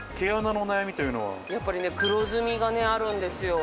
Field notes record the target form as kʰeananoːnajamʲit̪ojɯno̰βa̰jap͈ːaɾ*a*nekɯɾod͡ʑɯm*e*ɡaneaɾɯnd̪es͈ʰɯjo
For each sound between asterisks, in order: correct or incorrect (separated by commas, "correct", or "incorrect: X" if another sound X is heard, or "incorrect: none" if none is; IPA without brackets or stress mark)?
incorrect: i, incorrect: i